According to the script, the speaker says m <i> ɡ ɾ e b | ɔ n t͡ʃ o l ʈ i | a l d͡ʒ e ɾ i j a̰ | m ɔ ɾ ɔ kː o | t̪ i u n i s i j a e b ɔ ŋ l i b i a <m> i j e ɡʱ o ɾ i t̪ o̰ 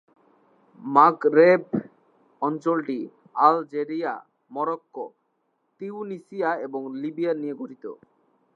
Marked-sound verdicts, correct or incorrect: incorrect: a, incorrect: n

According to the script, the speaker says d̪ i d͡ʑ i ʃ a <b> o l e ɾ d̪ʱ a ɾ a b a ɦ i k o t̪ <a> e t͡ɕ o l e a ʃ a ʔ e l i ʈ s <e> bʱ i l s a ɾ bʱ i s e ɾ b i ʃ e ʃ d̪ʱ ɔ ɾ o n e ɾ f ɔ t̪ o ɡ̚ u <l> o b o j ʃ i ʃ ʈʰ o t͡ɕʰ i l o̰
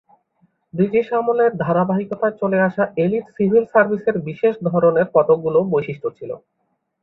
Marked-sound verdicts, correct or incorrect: incorrect: m, correct, incorrect: i, correct

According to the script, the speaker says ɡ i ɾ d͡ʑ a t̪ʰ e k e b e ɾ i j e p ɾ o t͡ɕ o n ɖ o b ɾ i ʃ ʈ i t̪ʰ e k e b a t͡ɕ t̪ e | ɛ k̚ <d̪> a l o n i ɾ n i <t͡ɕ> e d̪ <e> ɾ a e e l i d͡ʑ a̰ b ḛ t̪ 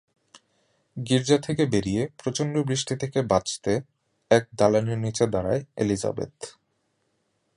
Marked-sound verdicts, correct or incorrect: correct, correct, incorrect: a

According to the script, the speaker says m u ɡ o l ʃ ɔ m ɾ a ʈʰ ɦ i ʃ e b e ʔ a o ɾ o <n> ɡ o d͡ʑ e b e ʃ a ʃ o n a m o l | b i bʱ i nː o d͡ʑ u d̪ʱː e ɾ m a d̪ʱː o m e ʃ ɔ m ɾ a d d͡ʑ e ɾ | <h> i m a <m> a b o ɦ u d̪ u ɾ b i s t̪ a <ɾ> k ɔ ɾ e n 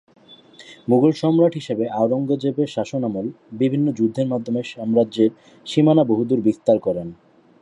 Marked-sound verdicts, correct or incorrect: incorrect: ŋ, incorrect: ʃ, incorrect: n, correct

